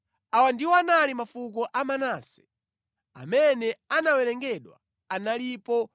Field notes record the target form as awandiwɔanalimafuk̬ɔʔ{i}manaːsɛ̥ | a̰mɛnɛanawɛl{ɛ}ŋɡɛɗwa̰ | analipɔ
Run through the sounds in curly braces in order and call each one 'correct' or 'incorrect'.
incorrect: a, correct

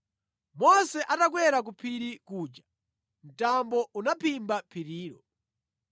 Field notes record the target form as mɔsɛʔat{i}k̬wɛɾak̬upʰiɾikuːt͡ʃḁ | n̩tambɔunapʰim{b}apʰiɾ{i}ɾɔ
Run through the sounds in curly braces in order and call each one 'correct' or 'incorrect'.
incorrect: a, correct, incorrect: iː

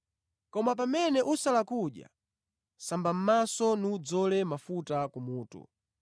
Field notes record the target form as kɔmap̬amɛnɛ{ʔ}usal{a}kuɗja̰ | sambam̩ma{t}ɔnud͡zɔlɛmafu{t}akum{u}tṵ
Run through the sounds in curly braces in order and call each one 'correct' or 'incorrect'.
correct, correct, incorrect: s, correct, incorrect: uː

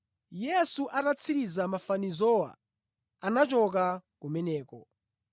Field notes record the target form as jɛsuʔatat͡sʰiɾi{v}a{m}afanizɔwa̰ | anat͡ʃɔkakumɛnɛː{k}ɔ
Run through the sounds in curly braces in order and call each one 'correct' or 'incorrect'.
incorrect: z, correct, correct

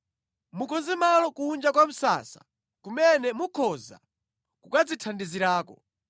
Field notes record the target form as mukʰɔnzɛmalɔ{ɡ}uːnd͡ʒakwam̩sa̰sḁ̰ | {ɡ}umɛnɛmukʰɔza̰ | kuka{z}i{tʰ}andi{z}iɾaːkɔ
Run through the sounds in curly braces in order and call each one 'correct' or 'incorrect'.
incorrect: k, incorrect: k, incorrect: d͡z, correct, correct

